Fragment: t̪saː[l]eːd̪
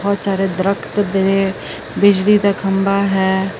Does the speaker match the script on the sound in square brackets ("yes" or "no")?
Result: no